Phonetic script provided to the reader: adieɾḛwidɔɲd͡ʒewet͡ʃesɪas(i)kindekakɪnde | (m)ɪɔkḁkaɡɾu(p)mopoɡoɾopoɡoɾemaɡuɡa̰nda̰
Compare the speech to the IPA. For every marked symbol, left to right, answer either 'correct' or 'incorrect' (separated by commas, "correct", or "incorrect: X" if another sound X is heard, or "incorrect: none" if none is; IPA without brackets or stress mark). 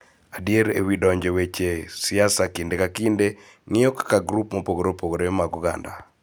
incorrect: a, incorrect: ŋ, correct